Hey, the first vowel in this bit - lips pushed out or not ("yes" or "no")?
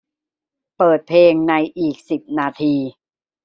no